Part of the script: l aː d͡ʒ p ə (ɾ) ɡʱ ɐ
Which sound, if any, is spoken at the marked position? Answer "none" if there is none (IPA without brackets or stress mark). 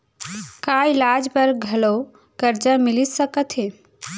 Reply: ɾ